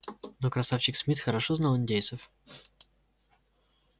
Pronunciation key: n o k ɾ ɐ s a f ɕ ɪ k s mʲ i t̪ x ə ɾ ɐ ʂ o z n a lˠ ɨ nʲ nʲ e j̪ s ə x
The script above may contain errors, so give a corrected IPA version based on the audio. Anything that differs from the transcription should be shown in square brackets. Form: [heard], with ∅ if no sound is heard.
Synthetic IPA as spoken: n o k ɾ ɐ s a f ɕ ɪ k s mʲ i t̪ x ə ɾ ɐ ʂ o z n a lˠ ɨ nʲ [dʲ] e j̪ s ə [f]

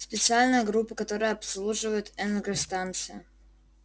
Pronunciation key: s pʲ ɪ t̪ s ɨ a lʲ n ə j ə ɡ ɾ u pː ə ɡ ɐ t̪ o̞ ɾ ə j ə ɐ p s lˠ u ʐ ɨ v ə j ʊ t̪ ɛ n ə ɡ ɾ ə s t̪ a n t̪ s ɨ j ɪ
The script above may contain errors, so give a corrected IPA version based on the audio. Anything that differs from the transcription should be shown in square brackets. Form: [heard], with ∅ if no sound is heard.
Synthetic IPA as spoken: s pʲ ɪ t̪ s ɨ a lʲ n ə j ə ɡ ɾ u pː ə [k] ɐ t̪ o̞ ɾ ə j ə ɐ p s lˠ u ʐ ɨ v ə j ʊ t̪ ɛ n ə ɡ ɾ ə s t̪ a n t̪ s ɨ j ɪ

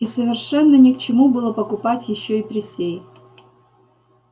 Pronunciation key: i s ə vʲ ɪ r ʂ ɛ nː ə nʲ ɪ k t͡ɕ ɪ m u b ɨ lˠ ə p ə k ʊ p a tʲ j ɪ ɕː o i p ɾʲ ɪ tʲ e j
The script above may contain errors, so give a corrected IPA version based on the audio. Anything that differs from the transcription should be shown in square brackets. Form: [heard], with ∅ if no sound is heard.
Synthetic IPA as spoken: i s ə vʲ ɪ r ʂ ɛ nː ə nʲ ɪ k t͡ɕ ɪ m u b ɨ lˠ ə p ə k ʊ p a tʲ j ɪ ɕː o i p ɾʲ ɪ [sʲ] e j

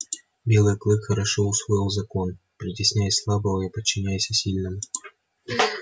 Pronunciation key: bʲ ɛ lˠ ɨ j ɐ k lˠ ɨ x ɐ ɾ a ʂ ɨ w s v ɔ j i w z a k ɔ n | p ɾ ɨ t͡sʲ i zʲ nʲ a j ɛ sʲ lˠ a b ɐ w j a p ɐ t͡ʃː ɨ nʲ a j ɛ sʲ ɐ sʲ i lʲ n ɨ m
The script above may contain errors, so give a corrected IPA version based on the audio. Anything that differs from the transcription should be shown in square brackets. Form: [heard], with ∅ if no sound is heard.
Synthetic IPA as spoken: bʲ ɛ lˠ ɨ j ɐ k lˠ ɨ x ɐ ɾ a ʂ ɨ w s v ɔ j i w z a k ɔ n | p ɾ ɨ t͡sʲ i [sʲ] nʲ a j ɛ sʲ lˠ a b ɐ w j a p ɐ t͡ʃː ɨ nʲ a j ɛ sʲ ɐ sʲ i lʲ n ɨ m

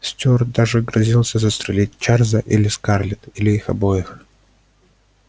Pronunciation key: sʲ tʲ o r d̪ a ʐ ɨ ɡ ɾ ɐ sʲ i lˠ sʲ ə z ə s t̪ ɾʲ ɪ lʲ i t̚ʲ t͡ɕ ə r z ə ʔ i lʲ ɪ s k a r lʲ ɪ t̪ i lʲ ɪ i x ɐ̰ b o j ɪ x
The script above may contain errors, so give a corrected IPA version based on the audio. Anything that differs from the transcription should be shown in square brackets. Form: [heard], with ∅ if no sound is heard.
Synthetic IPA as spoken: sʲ tʲ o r d̪ a ʐ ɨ ɡ ɾ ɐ [zʲ] i lˠ sʲ ə z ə s t̪ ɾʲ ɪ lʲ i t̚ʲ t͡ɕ [a] r z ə ʔ i lʲ ɪ s k a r lʲ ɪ t̪ i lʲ ɪ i x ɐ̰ b o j ɪ x

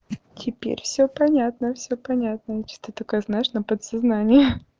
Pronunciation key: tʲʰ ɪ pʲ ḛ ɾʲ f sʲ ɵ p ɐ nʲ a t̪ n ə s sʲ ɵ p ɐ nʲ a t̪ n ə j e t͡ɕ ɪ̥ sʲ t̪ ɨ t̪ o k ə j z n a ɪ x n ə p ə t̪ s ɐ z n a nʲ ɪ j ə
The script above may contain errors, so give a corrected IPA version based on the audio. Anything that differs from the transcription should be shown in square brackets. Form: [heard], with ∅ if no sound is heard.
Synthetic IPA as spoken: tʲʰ ɪ pʲ ḛ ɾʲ f sʲ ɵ p ɐ nʲ a t̪ n ə [f] sʲ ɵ p ɐ nʲ a t̪ n ə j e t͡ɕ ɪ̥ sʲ t̪ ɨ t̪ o k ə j z n a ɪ [ʂ] n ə p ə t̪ s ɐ z n a nʲ ɪ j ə

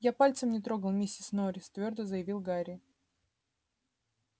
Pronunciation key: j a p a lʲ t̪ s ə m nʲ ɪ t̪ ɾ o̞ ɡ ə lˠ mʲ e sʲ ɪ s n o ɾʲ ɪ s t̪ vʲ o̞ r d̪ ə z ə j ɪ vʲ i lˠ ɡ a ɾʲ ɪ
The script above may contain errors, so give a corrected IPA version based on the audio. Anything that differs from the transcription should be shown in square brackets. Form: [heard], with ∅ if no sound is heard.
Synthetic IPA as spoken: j a p a lʲ t̪ s ə m nʲ ɪ t̪ ɾ o̞ ɡ ə lˠ mʲ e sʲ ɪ s n o ɾʲ ɪ s t̪ vʲ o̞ r d̪ ə z ə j ɪ vʲ i lˠ ɡ a ɾʲ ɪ

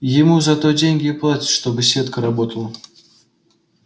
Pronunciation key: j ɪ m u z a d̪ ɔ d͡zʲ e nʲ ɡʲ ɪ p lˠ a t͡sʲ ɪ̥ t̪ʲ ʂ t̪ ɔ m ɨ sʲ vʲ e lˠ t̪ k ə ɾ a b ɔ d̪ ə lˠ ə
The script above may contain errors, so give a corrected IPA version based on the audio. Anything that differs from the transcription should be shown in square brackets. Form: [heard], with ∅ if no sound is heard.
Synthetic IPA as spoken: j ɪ m u z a [t̪] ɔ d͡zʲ e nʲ ɡʲ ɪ p lˠ a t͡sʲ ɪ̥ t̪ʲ ʂ t̪ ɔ [b] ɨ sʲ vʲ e [∅] t̪ k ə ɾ a b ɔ [t̪] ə lˠ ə

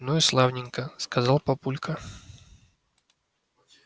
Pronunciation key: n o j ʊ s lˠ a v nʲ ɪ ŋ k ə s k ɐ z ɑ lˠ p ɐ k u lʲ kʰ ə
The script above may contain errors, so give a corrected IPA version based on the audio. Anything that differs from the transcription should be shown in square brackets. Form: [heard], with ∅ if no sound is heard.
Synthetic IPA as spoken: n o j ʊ s lˠ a v nʲ ɪ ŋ k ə s k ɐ z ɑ lˠ p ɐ [p] u lʲ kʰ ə

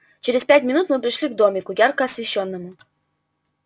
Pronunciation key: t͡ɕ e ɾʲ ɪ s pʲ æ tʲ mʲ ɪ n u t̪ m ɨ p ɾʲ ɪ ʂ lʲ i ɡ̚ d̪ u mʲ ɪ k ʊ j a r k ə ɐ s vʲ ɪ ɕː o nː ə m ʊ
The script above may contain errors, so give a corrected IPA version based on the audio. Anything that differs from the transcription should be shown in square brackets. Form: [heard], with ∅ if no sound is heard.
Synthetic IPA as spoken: t͡ɕ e ɾʲ ɪ s pʲ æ tʲ mʲ ɪ n u t̪ m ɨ p ɾʲ ɪ ʂ lʲ i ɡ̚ d̪ [o] mʲ ɪ k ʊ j a r k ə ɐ s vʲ ɪ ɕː o nː ə m ʊ

